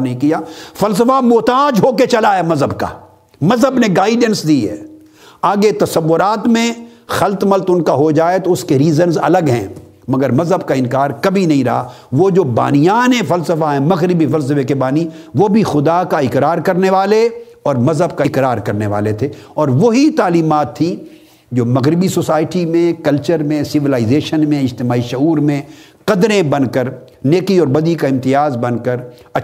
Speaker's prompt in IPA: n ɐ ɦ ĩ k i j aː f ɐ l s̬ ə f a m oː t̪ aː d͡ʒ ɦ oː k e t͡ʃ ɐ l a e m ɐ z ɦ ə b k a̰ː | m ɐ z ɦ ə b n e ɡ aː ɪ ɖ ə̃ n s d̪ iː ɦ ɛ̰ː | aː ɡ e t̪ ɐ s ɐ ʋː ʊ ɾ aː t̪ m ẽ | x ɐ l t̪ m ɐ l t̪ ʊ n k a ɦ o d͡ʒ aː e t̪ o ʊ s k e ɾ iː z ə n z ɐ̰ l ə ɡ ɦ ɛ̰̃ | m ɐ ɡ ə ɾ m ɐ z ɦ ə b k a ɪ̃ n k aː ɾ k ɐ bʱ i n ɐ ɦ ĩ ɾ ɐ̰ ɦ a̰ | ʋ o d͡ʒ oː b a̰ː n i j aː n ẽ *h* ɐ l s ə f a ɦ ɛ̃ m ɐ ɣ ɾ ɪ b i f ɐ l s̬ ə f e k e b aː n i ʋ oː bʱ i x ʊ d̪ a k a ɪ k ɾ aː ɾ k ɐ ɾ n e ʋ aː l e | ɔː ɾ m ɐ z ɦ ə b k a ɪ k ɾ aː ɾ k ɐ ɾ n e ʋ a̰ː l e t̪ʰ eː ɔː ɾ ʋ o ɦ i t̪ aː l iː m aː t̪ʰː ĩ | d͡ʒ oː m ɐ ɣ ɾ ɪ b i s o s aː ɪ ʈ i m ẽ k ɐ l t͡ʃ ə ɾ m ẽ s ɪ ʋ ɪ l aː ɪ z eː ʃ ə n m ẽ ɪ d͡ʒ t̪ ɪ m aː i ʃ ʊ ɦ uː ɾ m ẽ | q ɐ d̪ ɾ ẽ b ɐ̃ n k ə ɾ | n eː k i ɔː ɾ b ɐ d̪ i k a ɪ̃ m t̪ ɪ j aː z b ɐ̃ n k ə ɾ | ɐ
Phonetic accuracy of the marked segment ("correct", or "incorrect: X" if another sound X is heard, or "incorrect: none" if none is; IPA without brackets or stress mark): incorrect: f